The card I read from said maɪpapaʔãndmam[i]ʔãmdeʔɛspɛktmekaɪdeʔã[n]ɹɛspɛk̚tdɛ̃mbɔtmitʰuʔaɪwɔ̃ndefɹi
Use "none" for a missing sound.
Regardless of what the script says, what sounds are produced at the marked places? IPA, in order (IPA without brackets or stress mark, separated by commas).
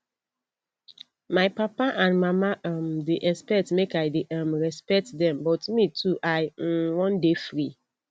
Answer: a, m